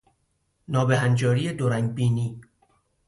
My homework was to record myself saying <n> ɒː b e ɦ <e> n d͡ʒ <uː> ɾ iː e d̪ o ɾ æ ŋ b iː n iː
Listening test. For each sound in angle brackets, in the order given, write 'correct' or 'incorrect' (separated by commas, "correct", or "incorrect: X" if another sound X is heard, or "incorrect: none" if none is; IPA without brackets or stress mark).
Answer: correct, incorrect: æ, incorrect: ɒː